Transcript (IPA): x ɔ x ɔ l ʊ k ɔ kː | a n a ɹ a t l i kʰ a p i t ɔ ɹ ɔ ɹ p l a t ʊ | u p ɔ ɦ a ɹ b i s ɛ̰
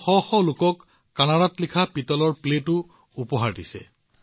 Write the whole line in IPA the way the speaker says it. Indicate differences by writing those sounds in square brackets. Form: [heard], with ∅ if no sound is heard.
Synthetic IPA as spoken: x ɔ x ɔ l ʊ k ɔ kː | a n a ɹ a t l i kʰ a p i t ɔ [l] ɔ ɹ p l [e] t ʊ | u p ɔ ɦ a ɹ [d] i s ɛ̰